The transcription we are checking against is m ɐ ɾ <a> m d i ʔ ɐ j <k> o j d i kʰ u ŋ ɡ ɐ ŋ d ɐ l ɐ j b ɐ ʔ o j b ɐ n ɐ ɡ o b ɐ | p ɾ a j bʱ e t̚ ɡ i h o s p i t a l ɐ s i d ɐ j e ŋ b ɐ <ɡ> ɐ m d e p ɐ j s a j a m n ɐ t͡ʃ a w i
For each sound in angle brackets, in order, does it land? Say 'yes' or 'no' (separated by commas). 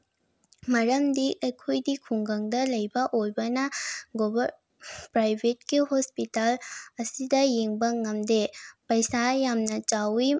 no, no, no